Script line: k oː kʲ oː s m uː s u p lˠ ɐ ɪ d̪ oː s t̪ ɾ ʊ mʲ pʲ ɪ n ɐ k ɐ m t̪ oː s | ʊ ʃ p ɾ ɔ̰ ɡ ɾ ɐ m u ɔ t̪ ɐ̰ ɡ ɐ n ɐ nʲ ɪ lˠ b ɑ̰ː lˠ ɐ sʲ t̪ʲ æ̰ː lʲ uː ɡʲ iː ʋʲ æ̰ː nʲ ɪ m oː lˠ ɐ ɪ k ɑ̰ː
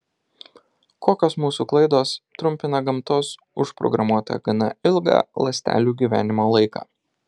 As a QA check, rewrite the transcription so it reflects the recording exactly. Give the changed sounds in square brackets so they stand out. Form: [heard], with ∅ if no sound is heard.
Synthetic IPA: k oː kʲ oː s m uː s u [k] lˠ ɐ ɪ d̪ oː s t̪ ɾ ʊ mʲ pʲ ɪ n ɐ [ɡ] ɐ m t̪ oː s | ʊ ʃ p ɾ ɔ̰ ɡ ɾ ɐ m u ɔ t̪ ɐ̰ ɡ ɐ n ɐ [∅] ɪ lˠ [ɡ] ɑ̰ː lˠ ɐ sʲ t̪ʲ æ̰ː lʲ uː ɡʲ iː ʋʲ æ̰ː nʲ ɪ m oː lˠ ɐ ɪ k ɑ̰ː

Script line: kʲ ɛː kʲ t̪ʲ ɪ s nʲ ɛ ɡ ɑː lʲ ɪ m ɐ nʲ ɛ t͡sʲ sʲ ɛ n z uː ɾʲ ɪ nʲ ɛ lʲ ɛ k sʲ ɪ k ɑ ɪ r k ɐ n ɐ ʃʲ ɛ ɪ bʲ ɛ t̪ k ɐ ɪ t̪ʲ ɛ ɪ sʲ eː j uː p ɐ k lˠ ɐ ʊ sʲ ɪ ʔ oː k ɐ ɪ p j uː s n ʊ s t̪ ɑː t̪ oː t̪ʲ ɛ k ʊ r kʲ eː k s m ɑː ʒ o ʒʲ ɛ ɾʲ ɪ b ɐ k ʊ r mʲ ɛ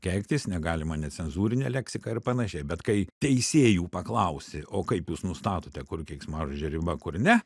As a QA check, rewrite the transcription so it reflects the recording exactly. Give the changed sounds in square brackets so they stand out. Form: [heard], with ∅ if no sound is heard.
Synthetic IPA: kʲ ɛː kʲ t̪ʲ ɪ s nʲ ɛ ɡ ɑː lʲ ɪ m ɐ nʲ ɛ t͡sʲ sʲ ɛ n z uː ɾʲ ɪ nʲ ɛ lʲ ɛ k sʲ ɪ k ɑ ɪ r [p] ɐ n ɐ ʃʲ ɛ ɪ bʲ ɛ t̪ k ɐ ɪ t̪ʲ ɛ ɪ sʲ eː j uː p ɐ k lˠ ɐ ʊ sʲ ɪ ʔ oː k ɐ ɪ p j uː s n ʊ s t̪ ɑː t̪ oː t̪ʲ ɛ k ʊ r kʲ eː k s m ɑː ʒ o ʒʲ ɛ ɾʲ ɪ b ɐ k ʊ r [nʲ] ɛ

